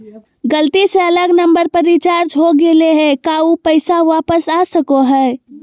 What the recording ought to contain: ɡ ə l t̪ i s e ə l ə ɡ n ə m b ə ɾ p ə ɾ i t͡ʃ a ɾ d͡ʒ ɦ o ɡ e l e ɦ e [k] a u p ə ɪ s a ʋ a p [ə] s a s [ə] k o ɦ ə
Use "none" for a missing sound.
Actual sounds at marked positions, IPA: k, ə, ə

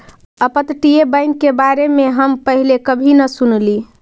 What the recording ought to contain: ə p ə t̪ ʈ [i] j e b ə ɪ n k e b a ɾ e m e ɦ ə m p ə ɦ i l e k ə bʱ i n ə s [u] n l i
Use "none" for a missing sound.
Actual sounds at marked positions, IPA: i, u

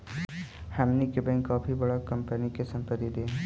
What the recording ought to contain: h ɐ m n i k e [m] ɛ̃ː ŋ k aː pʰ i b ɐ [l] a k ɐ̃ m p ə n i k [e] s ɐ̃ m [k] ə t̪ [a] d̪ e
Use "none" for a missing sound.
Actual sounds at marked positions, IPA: b, ɽ, e, p, i

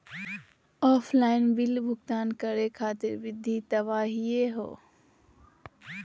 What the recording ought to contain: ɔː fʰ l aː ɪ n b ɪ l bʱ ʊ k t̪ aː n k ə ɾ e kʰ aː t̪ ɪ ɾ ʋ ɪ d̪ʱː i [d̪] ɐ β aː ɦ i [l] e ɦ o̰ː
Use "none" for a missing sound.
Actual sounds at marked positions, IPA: t̪, none

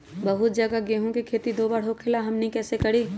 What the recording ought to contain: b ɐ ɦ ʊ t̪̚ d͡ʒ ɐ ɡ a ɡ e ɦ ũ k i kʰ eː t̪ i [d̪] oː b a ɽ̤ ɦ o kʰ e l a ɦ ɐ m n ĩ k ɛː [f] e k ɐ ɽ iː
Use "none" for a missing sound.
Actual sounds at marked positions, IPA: d̪, s

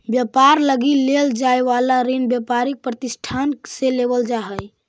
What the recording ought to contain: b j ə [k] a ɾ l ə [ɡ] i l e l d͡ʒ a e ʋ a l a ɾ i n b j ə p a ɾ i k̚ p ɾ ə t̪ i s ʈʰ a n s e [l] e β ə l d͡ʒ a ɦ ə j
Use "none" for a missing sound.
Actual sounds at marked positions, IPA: p, ɡ, l

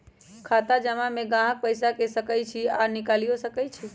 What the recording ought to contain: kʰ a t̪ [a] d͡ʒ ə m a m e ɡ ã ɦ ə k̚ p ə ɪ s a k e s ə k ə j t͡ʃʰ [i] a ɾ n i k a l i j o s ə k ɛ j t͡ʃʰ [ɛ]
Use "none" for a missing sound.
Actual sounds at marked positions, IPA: a, i, i

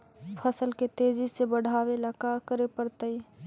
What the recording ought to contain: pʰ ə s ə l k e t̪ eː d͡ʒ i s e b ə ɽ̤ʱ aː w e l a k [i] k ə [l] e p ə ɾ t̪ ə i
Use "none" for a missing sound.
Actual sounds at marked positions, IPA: a, ɾ

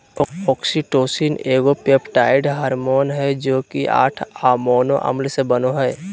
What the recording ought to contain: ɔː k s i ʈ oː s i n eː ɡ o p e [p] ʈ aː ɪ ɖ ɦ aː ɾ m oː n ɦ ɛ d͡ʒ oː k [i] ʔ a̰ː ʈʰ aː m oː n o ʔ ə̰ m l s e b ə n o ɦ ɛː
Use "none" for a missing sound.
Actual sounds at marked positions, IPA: p, i

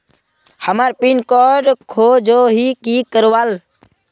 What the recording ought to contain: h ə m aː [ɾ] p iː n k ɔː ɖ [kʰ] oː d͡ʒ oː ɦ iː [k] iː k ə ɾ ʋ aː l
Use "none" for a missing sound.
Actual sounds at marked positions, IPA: ɾ, kʰ, k

